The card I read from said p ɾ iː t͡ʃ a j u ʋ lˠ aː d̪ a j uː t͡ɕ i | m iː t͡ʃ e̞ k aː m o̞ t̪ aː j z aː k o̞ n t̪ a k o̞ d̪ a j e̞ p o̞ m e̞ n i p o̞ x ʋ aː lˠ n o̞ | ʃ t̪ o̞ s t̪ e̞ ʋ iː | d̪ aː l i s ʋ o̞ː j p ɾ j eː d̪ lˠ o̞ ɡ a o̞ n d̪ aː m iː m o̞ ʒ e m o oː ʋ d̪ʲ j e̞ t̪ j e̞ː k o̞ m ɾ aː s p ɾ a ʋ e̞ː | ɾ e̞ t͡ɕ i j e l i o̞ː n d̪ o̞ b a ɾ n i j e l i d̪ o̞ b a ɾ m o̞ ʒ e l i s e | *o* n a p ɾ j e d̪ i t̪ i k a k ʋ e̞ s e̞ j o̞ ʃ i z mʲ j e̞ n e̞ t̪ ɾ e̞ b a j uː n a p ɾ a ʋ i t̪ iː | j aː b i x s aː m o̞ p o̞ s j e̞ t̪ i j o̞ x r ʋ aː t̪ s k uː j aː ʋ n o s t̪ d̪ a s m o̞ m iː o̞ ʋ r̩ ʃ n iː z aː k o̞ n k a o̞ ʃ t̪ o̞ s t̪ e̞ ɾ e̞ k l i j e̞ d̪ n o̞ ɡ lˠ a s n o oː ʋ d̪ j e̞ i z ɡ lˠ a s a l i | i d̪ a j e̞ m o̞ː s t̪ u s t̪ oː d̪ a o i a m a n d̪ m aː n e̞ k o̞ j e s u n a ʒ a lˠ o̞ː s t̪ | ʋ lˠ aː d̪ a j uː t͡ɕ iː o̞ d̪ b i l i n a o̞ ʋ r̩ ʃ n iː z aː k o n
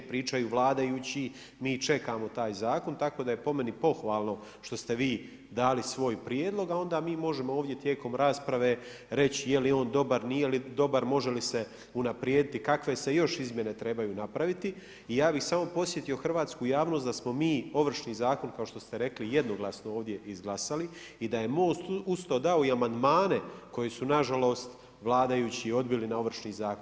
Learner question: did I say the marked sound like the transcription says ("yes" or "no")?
no